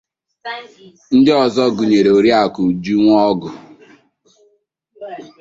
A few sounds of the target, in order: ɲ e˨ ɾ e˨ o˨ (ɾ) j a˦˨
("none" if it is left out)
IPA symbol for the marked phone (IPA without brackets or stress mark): ɾ